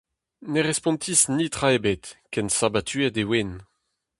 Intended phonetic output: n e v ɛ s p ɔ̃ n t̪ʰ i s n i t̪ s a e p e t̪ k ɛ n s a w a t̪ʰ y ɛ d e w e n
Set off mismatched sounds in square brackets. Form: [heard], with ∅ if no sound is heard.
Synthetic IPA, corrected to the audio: n e [ʁ] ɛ s p ɔ̃ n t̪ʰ i s n i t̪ [χ] a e [b] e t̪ k ɛ n s a [b] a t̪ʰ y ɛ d e w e n